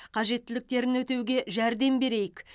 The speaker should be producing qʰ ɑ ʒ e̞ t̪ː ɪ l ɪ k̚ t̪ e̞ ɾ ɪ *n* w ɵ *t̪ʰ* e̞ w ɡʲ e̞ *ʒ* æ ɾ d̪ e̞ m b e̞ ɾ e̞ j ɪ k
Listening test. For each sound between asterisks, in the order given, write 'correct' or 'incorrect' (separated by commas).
correct, incorrect, correct